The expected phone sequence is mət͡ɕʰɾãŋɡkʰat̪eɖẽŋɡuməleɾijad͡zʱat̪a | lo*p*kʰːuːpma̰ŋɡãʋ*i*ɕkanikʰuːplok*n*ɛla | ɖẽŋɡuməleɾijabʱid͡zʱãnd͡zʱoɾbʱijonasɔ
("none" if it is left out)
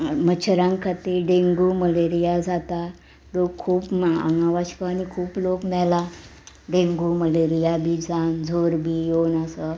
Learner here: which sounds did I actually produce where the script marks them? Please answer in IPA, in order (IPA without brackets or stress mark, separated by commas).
k, a, m